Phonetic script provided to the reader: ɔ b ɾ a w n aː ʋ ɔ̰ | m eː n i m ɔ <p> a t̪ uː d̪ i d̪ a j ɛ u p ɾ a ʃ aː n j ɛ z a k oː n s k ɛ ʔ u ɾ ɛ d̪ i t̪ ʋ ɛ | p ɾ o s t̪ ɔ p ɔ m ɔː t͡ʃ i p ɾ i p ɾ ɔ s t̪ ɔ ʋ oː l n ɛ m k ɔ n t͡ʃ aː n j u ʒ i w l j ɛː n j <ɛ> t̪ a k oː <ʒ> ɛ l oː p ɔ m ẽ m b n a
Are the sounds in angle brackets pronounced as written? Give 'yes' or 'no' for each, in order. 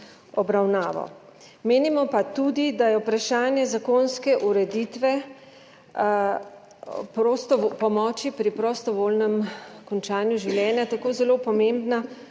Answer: yes, no, no

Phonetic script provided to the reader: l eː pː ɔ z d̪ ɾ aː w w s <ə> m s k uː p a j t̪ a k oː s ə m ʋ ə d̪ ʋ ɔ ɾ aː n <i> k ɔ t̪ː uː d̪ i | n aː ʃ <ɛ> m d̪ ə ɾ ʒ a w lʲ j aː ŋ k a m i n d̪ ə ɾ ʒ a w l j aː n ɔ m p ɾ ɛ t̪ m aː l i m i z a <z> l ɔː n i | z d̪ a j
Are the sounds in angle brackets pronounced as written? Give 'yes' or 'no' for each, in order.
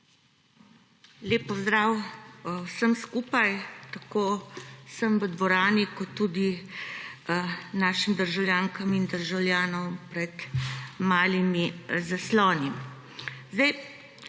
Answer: yes, yes, no, no

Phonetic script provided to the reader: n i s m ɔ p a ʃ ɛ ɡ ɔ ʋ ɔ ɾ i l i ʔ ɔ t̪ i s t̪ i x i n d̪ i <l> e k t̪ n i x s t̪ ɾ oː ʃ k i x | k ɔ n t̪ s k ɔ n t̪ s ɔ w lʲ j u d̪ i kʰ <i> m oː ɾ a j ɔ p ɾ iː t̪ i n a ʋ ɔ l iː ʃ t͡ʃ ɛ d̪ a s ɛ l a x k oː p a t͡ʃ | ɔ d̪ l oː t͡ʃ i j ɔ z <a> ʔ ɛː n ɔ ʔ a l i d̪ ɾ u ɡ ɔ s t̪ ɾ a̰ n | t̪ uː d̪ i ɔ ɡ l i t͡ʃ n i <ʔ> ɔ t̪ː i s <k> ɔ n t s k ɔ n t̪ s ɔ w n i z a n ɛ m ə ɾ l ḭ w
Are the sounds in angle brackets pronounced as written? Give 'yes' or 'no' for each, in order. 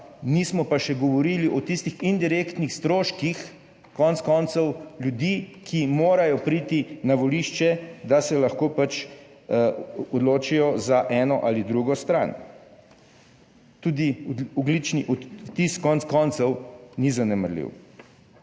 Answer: no, yes, yes, yes, yes

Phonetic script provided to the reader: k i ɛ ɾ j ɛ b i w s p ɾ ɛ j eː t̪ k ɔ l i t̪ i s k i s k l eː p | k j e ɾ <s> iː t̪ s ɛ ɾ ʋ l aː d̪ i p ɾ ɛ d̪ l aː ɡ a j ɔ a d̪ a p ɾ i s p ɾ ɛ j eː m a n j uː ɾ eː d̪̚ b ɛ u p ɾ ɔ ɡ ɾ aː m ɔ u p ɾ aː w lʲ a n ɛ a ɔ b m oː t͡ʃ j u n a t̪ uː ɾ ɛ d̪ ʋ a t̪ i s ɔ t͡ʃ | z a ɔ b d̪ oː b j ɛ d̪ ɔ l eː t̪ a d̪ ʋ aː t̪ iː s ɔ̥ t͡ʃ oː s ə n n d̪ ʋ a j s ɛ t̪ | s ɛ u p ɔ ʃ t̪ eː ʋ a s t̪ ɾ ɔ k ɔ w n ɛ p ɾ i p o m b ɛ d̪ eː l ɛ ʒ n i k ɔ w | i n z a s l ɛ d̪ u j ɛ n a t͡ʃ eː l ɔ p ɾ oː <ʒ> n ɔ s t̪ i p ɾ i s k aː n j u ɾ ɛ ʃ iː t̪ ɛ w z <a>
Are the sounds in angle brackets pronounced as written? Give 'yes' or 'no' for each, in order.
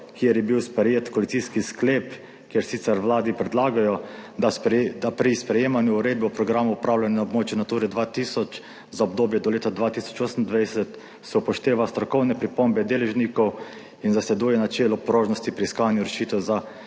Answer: yes, yes, yes

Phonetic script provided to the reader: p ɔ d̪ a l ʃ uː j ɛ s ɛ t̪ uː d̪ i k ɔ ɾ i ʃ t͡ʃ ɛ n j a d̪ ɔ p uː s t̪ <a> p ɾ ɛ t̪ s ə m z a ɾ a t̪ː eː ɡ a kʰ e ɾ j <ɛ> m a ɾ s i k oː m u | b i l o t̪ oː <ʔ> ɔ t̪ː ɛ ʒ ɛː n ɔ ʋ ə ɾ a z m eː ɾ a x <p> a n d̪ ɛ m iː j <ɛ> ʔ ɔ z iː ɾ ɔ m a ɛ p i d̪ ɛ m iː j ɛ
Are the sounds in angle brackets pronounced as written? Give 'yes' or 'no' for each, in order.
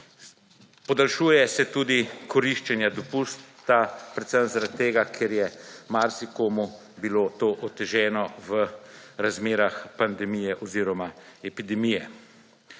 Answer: yes, yes, yes, yes, yes

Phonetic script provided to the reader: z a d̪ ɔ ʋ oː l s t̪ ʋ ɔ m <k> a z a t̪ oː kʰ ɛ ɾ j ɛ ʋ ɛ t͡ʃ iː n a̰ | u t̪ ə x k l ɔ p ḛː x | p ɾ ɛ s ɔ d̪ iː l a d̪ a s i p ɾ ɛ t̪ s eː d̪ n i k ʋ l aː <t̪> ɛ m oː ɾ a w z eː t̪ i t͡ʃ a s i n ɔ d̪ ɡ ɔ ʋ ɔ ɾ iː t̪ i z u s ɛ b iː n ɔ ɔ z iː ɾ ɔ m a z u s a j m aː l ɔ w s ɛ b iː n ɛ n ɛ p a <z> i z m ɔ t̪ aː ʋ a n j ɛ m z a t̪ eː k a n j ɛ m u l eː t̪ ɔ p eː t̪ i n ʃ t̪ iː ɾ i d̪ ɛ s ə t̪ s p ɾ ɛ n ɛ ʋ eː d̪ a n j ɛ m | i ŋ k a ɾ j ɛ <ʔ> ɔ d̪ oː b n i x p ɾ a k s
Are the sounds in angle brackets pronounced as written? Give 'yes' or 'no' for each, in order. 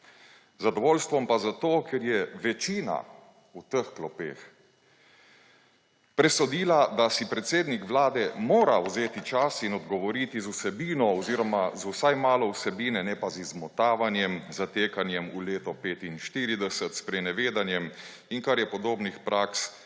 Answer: no, no, yes, no

